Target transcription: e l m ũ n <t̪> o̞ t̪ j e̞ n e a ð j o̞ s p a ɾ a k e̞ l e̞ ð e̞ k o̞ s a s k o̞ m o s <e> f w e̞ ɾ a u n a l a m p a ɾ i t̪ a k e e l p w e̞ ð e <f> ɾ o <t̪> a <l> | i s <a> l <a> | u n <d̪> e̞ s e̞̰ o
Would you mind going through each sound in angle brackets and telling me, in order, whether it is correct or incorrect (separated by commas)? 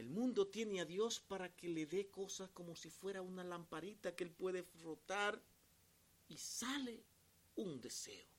incorrect, incorrect, correct, correct, incorrect, correct, incorrect, correct